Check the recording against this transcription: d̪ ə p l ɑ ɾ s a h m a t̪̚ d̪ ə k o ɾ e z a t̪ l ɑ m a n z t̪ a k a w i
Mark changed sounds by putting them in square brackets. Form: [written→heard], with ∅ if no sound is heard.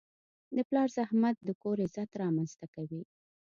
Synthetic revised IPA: d̪ ə p l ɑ ɾ [s→z] a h m a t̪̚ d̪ ə k o ɾ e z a t̪ [l→ɾ] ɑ m a n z t̪ a k a w i